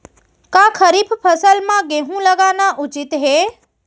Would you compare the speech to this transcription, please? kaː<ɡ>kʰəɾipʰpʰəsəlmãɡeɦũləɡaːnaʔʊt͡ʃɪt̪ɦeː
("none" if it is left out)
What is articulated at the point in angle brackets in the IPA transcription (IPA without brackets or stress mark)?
none